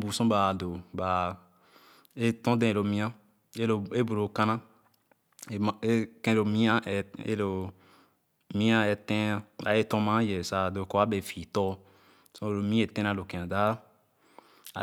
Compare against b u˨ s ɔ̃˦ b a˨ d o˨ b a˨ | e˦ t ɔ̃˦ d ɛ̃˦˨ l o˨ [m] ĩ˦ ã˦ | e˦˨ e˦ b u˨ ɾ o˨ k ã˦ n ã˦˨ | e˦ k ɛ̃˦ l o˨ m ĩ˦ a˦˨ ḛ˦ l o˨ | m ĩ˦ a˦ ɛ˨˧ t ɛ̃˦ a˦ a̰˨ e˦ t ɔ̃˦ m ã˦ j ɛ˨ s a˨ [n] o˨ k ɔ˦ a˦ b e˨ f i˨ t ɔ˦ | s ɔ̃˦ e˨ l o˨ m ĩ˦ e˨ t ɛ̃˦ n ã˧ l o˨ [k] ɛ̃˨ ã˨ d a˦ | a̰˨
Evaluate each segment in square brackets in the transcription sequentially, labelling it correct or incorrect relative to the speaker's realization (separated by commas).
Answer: correct, incorrect, correct